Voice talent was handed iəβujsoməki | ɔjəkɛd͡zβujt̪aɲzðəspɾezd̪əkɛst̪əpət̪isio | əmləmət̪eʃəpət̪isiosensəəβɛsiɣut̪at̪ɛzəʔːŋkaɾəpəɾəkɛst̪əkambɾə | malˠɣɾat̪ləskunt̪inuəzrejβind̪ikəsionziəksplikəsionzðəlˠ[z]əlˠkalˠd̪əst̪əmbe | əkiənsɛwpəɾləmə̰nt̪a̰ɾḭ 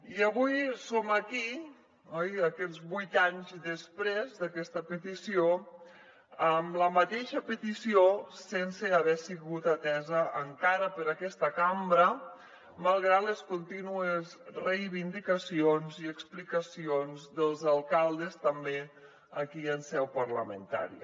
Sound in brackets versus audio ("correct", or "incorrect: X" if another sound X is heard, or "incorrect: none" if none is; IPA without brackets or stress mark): correct